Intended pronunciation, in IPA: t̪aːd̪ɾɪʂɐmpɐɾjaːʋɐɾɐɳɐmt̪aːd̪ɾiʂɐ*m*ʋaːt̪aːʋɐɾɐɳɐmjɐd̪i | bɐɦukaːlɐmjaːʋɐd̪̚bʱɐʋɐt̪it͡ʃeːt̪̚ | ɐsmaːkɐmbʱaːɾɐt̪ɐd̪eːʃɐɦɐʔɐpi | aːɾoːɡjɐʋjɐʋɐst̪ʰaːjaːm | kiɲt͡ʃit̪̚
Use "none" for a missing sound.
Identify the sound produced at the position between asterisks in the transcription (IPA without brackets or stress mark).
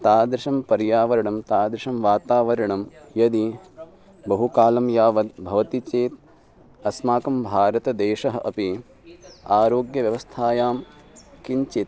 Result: m